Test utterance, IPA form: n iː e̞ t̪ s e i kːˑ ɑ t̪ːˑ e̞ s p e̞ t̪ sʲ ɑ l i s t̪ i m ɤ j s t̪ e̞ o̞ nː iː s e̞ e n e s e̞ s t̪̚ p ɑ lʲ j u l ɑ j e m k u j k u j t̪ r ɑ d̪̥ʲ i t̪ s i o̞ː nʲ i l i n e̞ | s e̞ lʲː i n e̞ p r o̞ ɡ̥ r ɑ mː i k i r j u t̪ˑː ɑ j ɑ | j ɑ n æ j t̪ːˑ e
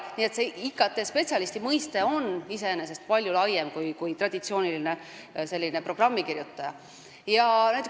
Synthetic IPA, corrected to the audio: n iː e̞ t̪ s e i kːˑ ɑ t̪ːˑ e̞ s p e̞ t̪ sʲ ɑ l i s t̪ i m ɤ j s t̪ e̞ o̞ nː i s e̞ e n e s e̞ s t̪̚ p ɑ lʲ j u l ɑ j e m k u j k u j t̪ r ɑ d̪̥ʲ i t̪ s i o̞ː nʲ i l i n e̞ | s e̞ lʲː i n e̞ p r o̞ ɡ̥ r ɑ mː i k i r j u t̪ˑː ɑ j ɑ | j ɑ n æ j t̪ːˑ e